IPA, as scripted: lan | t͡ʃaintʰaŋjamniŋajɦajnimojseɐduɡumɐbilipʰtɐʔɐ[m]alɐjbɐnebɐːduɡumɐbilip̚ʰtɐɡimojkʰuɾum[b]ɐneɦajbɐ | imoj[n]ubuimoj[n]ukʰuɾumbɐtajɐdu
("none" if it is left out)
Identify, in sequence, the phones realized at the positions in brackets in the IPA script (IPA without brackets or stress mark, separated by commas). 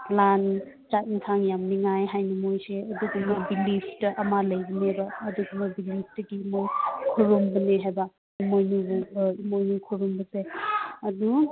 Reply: m, b, n, n